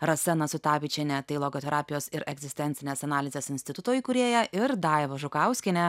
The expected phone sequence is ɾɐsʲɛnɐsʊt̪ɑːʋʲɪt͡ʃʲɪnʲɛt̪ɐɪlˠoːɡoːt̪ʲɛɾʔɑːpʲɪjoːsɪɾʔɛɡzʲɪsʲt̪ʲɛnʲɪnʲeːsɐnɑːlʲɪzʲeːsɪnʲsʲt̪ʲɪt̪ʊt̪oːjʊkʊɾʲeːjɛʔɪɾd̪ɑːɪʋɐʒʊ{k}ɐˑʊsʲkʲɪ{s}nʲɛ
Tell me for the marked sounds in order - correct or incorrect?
correct, incorrect

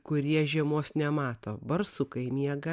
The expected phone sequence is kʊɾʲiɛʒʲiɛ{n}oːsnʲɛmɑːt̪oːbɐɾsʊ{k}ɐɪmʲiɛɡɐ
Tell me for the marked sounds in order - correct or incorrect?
incorrect, correct

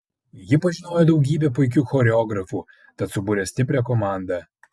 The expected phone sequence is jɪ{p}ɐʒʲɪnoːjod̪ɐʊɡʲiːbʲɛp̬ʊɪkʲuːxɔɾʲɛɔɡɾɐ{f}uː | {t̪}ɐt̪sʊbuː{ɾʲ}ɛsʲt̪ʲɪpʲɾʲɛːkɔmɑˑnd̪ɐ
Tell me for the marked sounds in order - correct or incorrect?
correct, correct, correct, correct

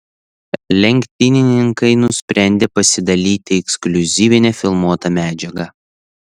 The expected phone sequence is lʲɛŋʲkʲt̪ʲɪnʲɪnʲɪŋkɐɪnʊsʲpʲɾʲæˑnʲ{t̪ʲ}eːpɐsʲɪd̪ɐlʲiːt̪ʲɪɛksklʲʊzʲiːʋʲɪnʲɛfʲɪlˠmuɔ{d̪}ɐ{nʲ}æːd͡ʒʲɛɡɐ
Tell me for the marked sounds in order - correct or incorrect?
incorrect, incorrect, incorrect

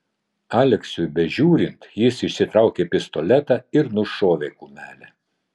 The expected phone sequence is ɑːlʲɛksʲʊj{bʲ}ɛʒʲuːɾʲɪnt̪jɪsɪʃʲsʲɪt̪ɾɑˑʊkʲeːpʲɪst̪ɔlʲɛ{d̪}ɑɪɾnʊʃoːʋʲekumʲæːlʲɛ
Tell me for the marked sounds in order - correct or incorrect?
correct, incorrect

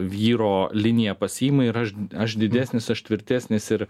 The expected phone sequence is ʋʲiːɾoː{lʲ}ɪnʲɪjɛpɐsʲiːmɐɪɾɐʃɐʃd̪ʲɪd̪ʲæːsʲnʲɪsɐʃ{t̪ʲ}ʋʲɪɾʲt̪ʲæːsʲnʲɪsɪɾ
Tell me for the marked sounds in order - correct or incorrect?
correct, correct

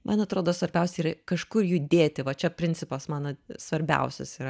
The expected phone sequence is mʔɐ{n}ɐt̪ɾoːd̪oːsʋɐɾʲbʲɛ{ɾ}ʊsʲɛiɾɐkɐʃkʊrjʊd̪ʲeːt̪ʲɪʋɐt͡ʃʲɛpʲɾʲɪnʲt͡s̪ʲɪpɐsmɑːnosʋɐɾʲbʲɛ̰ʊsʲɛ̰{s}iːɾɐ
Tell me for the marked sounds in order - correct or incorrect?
correct, incorrect, correct

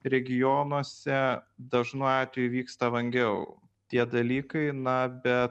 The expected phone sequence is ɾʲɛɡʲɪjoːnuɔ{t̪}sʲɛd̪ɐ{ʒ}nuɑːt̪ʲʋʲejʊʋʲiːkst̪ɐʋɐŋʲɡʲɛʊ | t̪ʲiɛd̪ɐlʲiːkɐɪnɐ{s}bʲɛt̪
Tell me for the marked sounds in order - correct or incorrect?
incorrect, correct, incorrect

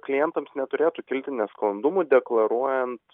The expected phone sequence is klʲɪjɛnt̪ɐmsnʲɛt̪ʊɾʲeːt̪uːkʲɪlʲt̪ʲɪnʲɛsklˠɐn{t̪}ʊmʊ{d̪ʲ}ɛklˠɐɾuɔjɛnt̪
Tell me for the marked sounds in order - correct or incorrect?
incorrect, correct

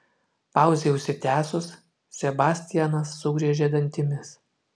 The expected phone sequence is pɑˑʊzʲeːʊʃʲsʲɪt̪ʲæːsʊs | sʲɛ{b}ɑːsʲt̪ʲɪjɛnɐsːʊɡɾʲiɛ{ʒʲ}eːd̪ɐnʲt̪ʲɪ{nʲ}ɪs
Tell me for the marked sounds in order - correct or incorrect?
correct, correct, incorrect

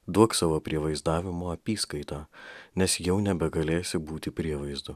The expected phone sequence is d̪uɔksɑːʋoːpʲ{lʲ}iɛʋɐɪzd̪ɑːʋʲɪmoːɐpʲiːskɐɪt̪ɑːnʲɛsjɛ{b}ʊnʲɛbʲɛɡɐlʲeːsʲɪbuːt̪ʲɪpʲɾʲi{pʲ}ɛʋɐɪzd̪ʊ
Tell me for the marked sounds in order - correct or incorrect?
incorrect, incorrect, incorrect

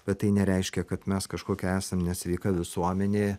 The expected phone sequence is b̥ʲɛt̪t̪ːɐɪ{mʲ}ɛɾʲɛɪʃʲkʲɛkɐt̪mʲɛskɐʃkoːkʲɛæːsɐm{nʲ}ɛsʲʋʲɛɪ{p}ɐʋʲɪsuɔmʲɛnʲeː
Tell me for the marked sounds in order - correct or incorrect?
incorrect, correct, incorrect

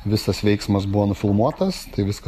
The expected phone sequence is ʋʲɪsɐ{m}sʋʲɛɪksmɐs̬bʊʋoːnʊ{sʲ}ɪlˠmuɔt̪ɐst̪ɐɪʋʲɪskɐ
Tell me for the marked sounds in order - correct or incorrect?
incorrect, incorrect

